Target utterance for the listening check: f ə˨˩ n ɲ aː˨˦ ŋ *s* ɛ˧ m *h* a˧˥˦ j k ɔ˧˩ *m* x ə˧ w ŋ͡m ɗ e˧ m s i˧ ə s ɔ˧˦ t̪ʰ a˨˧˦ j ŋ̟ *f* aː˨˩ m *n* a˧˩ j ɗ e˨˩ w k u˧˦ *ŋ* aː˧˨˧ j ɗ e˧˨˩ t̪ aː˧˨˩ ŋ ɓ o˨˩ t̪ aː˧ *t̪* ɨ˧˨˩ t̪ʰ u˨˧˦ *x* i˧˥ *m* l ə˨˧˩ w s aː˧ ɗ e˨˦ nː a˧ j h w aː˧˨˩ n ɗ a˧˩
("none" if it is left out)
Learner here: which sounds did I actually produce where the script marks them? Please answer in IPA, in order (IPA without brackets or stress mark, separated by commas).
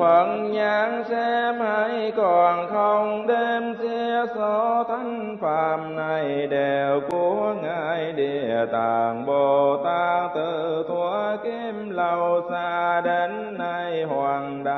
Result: s, h, n, f, n, ŋ, t̪, k, m